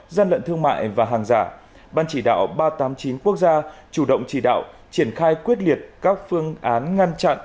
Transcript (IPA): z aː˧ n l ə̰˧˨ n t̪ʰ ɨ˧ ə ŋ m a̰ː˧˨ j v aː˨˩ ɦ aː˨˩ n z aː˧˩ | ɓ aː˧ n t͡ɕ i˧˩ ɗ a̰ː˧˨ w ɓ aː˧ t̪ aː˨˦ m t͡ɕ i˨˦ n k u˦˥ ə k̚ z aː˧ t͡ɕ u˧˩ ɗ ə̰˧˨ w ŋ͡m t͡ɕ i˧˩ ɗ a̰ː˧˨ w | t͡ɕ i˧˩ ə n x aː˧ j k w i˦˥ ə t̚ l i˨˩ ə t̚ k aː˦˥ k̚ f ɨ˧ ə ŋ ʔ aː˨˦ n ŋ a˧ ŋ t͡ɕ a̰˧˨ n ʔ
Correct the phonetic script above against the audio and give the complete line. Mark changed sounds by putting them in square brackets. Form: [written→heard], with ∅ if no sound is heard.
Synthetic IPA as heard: z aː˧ n l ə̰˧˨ n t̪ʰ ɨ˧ ə ŋ m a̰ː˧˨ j v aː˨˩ ɦ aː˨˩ [n→ŋ] z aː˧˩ | ɓ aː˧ n t͡ɕ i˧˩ ɗ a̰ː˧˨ w ɓ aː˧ t̪ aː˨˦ m t͡ɕ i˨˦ n k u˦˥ ə k̚ z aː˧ t͡ɕ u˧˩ ɗ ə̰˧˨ w ŋ͡m t͡ɕ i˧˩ ɗ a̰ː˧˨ w | t͡ɕ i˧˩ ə n x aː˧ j k w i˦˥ ə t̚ l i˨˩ ə t̚ k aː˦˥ k̚ f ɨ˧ ə ŋ ʔ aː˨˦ n ŋ a˧ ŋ t͡ɕ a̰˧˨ n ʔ